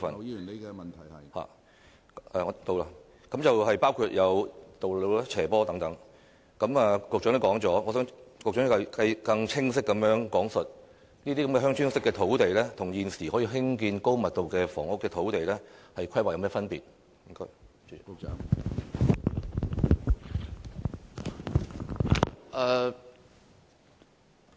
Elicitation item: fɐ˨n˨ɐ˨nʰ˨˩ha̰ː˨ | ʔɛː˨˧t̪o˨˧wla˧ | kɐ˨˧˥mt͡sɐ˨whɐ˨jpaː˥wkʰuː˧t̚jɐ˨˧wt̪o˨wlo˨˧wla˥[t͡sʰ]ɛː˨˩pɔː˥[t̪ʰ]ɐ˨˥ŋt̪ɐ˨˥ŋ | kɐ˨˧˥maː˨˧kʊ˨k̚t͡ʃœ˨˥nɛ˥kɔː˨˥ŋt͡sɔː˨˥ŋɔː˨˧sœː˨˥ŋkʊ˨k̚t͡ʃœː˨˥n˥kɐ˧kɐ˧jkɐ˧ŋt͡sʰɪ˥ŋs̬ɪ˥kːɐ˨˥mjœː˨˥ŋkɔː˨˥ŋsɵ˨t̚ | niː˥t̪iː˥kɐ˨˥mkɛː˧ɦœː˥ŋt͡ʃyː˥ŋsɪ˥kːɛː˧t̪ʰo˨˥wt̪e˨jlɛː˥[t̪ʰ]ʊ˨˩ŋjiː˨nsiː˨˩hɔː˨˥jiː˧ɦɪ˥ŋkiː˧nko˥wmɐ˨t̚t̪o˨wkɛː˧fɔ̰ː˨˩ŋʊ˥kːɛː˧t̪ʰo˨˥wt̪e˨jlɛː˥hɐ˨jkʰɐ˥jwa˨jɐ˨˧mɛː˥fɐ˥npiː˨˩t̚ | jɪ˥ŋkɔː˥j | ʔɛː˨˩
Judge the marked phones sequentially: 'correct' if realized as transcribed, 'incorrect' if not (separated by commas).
correct, incorrect, correct